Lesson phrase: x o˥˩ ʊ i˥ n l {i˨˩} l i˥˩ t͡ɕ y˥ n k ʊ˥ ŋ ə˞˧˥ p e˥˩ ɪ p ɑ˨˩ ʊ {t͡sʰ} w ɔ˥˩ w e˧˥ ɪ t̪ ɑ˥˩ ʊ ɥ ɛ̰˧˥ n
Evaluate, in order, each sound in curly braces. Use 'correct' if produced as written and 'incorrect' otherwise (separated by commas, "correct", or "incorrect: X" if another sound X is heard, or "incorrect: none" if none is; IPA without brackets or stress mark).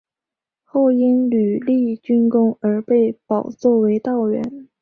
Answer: incorrect: y˨˩, incorrect: t͡s